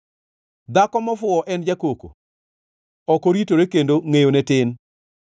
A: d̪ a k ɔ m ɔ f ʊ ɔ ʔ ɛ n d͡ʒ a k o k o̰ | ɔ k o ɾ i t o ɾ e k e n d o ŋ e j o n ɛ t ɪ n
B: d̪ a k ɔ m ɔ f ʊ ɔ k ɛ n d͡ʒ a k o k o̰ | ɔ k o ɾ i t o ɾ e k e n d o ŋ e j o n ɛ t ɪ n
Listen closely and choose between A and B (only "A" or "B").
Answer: A